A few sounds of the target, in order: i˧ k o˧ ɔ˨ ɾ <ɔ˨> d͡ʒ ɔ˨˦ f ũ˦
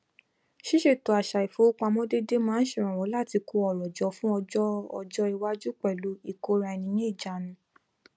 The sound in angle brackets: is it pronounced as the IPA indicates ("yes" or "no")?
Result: yes